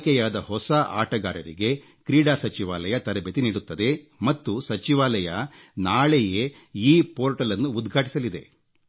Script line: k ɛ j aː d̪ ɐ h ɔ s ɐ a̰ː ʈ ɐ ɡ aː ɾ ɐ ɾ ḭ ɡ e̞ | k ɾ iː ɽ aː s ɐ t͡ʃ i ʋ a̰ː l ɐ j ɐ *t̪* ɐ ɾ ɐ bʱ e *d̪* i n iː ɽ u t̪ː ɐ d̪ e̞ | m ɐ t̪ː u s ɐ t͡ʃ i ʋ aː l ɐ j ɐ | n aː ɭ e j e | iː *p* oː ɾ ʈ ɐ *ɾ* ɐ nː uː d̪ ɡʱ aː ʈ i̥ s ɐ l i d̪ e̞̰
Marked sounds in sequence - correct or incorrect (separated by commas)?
correct, incorrect, correct, incorrect